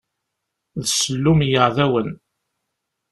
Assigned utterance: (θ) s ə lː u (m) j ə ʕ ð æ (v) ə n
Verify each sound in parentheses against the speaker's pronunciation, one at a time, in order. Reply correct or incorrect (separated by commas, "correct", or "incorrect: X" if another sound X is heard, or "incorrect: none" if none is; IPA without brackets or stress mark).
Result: incorrect: ð, correct, incorrect: w